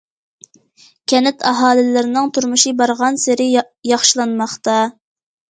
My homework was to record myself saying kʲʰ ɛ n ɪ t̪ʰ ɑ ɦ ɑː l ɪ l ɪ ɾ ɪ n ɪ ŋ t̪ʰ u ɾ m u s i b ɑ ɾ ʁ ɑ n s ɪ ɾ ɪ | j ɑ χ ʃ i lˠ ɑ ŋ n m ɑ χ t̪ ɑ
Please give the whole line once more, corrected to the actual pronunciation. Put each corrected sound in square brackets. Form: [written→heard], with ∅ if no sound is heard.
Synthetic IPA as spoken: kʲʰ ɛ n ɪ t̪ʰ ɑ ɦ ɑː l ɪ l ɪ ɾ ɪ n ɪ ŋ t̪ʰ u ɾ m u [s→ʃ] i b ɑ ɾ ʁ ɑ n s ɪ ɾ ɪ | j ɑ χ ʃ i lˠ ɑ [ŋ→∅] n m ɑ χ t̪ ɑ